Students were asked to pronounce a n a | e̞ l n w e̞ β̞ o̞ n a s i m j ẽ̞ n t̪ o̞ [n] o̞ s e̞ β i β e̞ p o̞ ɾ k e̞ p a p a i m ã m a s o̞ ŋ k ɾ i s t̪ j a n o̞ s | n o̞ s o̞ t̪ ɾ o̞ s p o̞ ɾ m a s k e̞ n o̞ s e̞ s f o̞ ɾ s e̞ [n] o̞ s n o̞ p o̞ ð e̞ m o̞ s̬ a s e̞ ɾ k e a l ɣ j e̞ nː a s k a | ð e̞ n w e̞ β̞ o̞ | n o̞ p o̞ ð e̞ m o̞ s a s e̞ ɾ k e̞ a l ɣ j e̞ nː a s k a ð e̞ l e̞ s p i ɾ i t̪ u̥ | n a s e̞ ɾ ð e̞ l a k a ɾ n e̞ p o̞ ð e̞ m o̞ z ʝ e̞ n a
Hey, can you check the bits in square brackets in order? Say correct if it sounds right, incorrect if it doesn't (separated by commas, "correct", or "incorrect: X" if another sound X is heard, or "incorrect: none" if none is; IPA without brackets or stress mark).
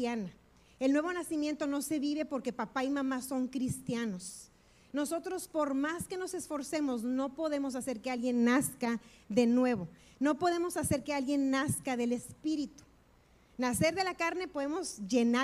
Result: correct, incorrect: m